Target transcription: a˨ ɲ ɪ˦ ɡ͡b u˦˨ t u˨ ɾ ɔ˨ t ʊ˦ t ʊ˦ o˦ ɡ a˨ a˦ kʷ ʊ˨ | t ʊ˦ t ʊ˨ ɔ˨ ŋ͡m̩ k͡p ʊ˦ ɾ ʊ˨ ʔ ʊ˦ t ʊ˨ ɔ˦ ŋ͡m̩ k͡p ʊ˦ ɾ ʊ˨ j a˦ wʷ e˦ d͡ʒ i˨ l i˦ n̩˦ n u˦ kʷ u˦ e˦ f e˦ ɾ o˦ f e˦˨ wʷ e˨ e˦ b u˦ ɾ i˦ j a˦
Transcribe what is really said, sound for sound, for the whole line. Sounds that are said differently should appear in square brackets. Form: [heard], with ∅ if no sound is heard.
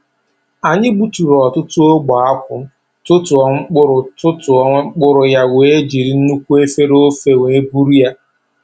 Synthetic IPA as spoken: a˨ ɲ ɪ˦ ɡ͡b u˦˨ t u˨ ɾ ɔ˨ t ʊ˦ t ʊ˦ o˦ [ɡ͡b] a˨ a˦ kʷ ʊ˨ | t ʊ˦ t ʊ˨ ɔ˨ ŋ͡m̩ k͡p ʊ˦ ɾ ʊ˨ [t] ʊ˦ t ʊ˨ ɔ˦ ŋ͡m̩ k͡p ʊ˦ ɾ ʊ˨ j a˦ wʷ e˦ d͡ʒ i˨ [ɾ] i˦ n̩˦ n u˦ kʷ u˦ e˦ f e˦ ɾ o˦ f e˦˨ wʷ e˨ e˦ b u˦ ɾ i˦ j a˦